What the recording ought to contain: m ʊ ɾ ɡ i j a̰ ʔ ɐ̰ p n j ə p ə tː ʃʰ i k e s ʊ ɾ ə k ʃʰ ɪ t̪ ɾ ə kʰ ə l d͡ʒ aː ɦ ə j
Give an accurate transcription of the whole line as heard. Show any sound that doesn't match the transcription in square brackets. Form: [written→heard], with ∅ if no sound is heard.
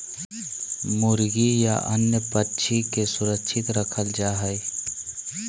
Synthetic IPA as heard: m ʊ ɾ ɡ i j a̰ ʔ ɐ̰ [p→∅] n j ə p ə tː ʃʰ i k e s ʊ ɾ ə k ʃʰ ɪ t̪ ɾ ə kʰ ə l d͡ʒ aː ɦ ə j